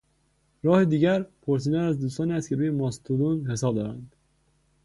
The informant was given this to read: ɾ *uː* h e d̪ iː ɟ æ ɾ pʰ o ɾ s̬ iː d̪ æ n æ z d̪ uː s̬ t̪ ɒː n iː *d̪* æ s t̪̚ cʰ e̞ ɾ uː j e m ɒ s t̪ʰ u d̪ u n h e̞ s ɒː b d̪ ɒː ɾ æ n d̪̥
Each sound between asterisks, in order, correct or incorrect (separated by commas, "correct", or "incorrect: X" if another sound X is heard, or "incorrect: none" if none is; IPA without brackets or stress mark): incorrect: ɒː, incorrect: none